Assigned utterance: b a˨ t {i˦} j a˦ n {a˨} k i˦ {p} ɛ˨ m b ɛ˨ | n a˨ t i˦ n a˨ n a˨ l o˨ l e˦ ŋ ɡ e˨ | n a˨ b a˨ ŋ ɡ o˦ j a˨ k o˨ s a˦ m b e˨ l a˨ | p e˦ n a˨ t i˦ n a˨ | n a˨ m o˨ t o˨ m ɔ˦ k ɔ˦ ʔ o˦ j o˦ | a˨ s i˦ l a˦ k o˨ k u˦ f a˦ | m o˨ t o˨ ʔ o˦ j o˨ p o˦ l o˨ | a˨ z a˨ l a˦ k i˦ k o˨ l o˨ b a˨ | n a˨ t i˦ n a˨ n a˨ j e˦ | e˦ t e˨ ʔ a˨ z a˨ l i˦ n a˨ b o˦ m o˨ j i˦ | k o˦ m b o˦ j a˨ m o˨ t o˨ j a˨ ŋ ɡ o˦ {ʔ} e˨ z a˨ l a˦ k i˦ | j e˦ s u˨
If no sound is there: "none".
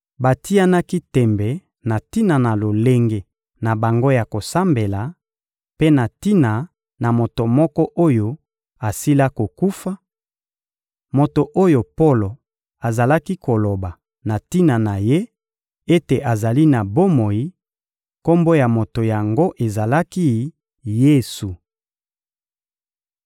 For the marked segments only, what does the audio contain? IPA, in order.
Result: i˦, a˦, t, ʔ

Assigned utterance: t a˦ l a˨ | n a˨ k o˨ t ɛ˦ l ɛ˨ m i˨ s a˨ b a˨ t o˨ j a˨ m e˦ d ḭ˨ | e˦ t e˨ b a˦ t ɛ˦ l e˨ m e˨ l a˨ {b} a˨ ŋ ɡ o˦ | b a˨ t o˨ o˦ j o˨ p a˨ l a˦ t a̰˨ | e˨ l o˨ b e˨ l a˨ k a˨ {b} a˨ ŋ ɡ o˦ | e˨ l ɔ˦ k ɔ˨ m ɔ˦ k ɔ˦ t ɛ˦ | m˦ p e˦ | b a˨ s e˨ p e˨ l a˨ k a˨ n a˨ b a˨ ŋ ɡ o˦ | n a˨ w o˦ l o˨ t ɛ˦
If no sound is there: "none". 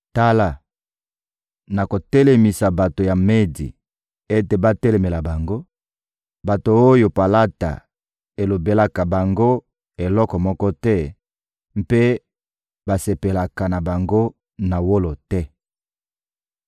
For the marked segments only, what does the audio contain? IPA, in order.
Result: b, b

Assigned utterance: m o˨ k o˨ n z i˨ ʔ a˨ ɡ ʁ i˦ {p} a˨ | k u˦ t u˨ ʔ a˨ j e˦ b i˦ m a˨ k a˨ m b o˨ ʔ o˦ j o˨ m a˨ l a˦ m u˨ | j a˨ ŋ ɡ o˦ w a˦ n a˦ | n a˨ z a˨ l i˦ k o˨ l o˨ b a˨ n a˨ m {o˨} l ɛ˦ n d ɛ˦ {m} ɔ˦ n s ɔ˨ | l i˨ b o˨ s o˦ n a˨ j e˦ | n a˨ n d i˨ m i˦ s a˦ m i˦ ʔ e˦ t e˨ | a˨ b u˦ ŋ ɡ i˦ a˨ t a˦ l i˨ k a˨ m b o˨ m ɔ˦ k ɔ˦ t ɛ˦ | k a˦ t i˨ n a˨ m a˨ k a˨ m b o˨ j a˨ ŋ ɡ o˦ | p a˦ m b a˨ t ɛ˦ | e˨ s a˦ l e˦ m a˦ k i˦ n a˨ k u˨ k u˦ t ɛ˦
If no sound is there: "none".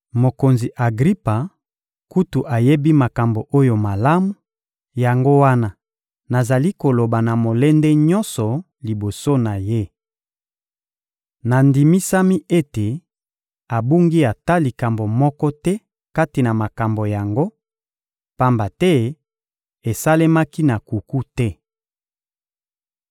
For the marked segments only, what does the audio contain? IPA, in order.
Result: p, o˨, ɲ

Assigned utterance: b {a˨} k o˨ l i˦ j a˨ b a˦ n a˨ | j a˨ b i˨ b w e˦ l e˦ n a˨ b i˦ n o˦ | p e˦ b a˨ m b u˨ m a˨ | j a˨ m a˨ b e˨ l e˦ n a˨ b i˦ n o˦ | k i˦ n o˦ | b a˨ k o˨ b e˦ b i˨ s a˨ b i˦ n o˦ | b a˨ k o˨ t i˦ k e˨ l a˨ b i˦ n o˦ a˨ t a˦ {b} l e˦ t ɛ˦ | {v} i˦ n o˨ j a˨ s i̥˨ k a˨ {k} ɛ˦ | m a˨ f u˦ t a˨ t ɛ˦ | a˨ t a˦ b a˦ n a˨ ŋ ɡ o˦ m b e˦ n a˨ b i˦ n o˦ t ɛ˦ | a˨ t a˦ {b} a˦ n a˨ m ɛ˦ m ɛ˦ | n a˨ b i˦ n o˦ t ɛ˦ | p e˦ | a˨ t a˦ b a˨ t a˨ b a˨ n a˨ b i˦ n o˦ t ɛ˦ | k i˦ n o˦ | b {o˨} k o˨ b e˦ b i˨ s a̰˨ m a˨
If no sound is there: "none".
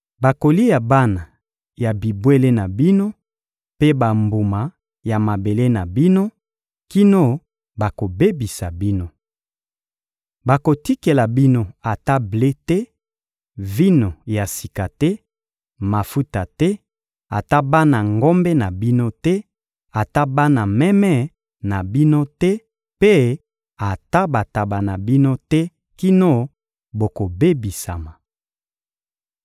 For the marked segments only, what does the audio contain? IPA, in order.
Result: a˨, b, v, t, b, o˨

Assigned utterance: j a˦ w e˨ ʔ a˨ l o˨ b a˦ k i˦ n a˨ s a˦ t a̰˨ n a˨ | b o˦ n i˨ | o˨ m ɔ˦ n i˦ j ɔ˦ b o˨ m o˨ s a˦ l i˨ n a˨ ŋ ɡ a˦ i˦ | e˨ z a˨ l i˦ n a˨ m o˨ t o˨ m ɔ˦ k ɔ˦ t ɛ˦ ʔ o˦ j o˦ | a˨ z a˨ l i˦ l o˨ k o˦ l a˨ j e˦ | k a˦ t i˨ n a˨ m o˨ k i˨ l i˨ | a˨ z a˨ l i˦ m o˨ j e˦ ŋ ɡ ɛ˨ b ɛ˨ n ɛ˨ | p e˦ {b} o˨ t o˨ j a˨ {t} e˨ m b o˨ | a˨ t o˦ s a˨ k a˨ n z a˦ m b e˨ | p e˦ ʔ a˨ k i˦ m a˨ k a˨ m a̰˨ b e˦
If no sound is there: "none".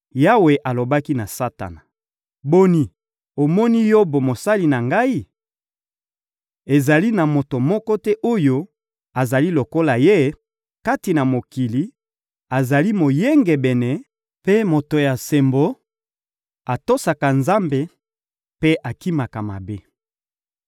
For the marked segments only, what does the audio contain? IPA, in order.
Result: m, s

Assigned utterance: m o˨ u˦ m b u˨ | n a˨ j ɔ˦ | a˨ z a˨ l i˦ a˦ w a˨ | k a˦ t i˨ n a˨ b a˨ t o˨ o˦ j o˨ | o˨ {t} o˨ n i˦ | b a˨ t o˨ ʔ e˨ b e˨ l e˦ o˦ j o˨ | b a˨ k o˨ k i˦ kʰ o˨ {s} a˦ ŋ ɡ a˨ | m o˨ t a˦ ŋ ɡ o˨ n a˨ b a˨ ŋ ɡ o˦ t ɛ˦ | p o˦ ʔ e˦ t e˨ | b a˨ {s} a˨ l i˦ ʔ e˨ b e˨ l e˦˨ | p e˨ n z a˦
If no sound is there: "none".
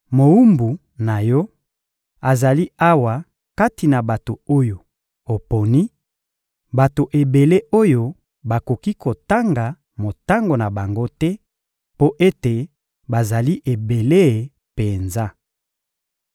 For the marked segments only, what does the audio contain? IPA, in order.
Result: p, t, z

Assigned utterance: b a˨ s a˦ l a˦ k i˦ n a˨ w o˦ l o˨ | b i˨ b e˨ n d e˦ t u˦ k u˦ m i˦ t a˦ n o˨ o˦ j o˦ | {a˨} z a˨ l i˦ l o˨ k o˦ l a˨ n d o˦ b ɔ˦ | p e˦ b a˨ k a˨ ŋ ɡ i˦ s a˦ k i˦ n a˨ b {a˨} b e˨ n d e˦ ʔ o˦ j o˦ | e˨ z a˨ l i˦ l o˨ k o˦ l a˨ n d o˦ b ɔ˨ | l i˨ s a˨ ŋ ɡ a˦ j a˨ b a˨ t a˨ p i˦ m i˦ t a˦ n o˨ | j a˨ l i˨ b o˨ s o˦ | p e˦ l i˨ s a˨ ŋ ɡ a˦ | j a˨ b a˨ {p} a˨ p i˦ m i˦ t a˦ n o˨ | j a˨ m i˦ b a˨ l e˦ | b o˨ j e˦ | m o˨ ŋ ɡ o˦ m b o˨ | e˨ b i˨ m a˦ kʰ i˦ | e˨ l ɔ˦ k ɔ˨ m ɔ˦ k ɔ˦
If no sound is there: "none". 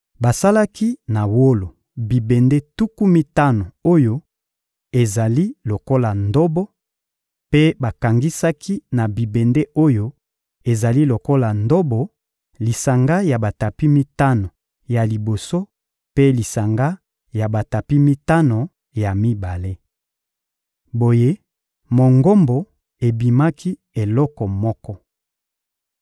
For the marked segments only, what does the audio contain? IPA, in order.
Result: e˨, i˨, t

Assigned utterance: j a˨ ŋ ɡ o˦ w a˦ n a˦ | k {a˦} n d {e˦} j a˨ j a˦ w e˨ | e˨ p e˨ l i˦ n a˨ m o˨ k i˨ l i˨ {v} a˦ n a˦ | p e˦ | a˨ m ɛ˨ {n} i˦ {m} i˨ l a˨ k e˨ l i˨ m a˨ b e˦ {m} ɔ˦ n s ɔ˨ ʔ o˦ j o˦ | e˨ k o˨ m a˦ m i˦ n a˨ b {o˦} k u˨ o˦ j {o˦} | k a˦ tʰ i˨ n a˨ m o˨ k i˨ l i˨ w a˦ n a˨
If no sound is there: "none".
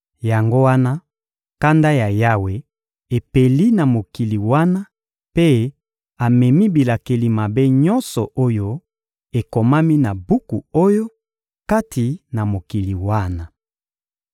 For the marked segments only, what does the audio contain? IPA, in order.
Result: a˦, a˦, w, m, b, ɲ, u˦, o˦

